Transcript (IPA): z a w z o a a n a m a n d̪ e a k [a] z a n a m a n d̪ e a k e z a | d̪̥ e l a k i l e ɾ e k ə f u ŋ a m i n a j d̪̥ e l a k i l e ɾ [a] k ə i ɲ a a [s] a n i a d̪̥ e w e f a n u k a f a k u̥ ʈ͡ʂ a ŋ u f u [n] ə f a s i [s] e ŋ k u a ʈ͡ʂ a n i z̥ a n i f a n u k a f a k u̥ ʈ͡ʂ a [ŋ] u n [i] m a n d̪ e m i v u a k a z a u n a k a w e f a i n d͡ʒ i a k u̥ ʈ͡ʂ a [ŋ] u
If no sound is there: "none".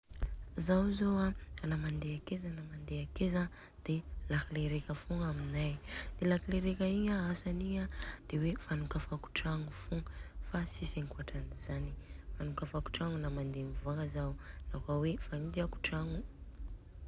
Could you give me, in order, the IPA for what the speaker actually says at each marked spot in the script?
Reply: e, e, s, ŋ, s, ŋ, a, ŋ

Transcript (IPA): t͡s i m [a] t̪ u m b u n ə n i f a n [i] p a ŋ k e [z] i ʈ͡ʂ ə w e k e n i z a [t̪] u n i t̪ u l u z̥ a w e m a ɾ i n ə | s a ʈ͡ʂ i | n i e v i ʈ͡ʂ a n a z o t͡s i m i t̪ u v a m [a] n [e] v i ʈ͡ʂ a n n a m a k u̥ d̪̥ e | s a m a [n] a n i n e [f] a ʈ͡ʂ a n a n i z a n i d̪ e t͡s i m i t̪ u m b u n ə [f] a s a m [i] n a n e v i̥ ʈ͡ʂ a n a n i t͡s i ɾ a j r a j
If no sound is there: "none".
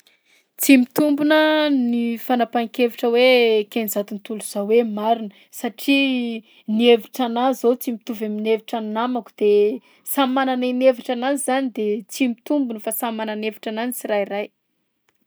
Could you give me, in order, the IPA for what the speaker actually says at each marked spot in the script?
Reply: i, a, v, t̪, i, e, n, v, f, a

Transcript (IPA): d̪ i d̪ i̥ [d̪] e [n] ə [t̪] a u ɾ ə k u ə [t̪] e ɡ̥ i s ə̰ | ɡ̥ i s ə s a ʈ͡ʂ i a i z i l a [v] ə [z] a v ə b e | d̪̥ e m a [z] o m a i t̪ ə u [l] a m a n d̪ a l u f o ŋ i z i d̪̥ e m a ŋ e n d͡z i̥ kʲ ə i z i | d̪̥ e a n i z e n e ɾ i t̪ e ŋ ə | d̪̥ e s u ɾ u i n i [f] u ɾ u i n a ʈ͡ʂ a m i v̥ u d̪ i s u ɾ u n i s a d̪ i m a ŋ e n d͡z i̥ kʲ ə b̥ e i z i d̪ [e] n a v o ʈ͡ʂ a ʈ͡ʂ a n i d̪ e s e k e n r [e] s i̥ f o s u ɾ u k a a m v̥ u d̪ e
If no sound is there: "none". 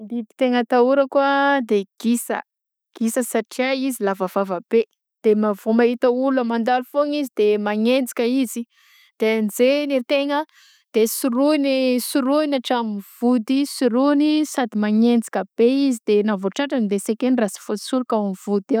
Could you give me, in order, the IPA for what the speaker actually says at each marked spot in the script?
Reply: t̪, ŋ, t̪, d̪, v, v, v, l, s, e, a

